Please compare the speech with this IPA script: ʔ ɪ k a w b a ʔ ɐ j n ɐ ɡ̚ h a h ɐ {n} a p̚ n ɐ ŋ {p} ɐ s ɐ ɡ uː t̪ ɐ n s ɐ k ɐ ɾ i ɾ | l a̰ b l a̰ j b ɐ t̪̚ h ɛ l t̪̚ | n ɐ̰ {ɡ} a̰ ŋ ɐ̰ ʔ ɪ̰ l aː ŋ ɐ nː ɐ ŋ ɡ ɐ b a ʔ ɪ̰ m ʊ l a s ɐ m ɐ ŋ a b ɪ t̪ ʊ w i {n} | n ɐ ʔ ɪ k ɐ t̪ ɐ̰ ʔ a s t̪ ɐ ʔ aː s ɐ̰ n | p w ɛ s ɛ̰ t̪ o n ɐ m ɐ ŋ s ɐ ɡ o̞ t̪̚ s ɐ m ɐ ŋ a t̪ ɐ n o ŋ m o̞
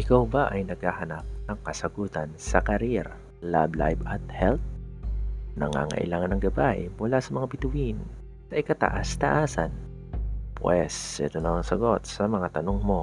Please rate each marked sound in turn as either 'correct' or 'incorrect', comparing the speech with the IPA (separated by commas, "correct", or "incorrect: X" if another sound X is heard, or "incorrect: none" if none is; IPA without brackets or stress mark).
correct, incorrect: k, incorrect: ŋ, correct